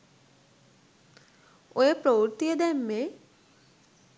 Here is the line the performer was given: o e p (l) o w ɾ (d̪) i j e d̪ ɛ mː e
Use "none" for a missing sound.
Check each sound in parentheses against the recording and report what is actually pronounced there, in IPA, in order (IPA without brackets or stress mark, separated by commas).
ɾ, t̪